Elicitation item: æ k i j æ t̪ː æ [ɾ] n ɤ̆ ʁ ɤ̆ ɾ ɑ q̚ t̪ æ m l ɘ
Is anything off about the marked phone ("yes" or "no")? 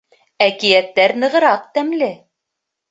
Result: no